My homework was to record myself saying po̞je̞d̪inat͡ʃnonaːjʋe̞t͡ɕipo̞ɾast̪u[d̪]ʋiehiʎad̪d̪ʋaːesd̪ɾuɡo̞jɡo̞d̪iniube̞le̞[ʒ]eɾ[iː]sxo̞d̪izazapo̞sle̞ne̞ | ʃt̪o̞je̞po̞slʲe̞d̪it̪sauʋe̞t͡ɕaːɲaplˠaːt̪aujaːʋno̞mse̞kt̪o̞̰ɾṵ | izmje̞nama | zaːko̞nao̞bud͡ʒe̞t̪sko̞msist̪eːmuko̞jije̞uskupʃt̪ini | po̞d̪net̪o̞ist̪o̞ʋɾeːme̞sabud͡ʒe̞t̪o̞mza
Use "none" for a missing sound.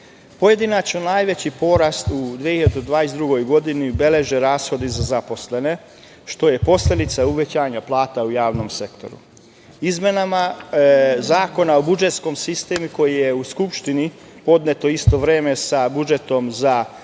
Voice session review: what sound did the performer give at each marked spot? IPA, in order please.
d̪, ʒ, aː

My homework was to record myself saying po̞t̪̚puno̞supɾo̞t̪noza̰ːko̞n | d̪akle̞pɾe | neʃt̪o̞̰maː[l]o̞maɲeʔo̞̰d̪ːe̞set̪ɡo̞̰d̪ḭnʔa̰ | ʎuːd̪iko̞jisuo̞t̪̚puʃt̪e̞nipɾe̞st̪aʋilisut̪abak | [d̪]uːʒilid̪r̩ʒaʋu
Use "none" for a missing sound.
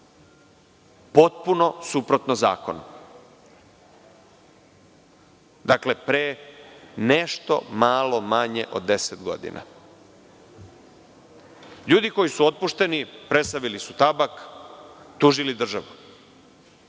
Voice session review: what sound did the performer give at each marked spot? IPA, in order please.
l, t̪

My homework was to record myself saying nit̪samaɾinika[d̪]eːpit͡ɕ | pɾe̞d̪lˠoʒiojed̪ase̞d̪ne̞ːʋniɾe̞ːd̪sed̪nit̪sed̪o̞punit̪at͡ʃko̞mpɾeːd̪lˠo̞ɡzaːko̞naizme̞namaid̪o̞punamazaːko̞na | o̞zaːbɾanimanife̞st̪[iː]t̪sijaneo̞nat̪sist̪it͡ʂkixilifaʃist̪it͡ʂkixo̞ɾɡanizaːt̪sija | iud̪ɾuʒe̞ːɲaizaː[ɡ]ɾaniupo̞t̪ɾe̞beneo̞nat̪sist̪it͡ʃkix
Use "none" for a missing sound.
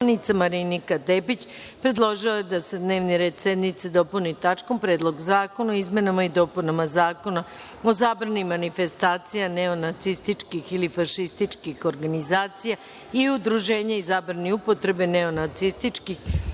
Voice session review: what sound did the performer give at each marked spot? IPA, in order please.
d̪, aː, b

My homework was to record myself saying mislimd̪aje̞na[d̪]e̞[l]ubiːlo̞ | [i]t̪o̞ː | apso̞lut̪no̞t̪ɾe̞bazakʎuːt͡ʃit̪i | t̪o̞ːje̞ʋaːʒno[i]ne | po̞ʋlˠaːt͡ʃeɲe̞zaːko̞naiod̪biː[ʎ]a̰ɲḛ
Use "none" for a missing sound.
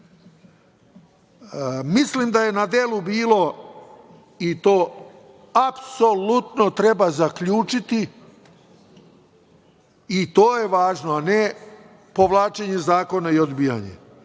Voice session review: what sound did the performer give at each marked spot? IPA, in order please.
d̪, l, i, a, j

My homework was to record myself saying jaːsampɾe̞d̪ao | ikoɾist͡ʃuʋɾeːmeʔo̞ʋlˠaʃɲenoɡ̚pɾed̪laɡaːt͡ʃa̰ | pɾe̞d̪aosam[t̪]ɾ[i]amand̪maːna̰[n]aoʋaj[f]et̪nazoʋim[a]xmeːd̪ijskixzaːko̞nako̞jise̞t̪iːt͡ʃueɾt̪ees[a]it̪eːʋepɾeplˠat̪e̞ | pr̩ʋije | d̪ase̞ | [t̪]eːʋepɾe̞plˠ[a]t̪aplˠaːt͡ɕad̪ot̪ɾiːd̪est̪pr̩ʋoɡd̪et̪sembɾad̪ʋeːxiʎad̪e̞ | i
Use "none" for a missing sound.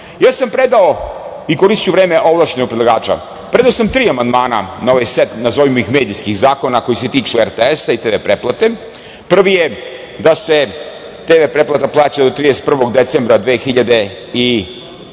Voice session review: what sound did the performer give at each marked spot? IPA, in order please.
t̪, iː, n, s, i, a, t̪, a

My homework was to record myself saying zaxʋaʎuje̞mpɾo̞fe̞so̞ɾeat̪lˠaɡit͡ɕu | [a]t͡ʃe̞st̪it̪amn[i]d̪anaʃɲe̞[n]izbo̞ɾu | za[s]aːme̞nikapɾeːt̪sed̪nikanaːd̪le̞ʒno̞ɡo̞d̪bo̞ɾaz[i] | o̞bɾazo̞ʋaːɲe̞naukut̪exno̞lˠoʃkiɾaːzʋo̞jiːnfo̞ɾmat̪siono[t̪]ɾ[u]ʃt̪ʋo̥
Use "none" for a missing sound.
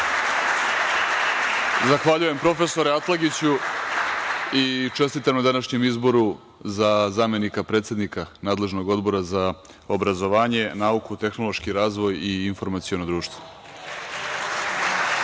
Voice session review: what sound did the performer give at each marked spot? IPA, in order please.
i, a, m, z, a, d̪, uː

